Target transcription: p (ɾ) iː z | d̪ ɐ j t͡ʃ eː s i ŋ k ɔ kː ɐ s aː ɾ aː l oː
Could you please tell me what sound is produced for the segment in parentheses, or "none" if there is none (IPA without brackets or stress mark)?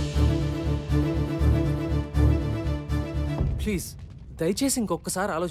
l